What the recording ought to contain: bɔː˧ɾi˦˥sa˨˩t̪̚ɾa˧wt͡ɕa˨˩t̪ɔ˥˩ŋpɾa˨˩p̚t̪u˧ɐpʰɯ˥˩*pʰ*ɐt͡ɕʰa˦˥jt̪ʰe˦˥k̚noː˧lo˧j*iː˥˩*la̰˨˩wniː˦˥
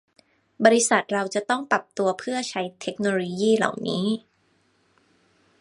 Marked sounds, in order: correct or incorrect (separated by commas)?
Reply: incorrect, correct